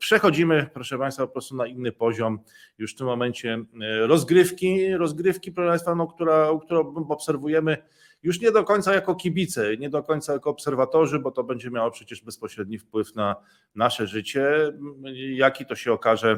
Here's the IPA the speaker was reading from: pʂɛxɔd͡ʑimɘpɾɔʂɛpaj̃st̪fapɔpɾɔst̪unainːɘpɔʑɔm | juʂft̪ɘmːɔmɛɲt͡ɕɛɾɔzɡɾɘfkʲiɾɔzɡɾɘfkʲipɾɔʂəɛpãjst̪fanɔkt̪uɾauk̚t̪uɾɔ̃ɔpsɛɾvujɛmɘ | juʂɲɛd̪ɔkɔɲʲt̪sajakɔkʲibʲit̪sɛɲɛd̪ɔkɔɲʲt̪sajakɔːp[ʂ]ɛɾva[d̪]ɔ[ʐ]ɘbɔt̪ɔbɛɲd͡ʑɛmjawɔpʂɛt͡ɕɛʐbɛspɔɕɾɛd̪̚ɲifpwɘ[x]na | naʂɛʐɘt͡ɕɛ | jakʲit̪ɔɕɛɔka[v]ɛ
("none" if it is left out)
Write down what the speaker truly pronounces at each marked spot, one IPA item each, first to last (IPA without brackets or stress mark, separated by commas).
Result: s, t̪, ʐ, f, ʐ